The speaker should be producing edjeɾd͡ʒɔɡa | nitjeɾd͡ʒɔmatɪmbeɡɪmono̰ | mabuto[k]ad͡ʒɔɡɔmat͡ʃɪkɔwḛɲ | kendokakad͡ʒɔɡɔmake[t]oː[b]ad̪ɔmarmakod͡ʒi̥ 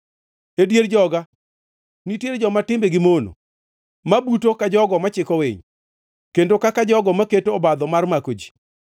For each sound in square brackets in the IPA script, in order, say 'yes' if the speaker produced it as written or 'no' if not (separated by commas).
yes, yes, yes